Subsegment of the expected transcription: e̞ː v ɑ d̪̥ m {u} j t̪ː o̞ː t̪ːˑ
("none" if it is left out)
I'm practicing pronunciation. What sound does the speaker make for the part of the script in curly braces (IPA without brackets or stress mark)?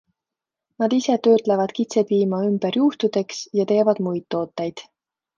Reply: u